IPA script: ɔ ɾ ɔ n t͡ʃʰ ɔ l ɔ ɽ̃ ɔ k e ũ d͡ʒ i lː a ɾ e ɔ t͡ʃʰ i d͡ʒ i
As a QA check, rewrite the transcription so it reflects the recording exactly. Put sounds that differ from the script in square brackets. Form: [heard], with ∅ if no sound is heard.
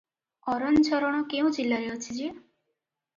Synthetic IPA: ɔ ɾ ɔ n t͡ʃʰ ɔ [ɾ] ɔ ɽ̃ ɔ k e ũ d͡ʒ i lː a ɾ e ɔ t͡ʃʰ i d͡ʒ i